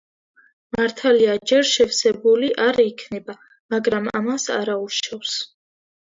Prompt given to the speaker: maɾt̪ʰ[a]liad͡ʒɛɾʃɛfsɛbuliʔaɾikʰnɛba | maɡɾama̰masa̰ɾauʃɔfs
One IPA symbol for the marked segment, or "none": a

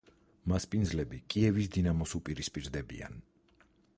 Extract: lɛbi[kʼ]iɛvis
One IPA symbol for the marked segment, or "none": kʼ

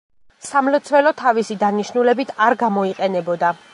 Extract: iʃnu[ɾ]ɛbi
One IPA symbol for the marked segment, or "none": l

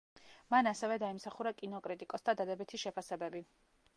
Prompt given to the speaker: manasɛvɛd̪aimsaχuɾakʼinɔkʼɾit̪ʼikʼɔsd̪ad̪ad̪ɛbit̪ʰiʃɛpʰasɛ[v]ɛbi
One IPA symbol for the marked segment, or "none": b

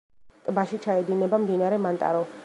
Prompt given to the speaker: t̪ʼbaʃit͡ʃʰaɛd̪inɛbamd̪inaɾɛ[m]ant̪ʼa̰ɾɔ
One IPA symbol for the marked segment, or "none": m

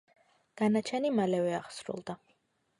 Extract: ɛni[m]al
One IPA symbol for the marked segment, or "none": m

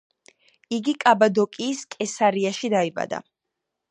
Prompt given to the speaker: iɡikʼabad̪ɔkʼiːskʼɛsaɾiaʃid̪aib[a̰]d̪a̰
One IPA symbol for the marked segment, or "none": a̰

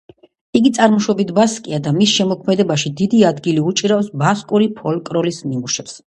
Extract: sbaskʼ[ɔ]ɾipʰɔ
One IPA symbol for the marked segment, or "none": u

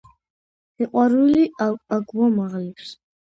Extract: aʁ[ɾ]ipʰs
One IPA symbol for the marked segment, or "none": l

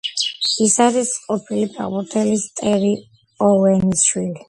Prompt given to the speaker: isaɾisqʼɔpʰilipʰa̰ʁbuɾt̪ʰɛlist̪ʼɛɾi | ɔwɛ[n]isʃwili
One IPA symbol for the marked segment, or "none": n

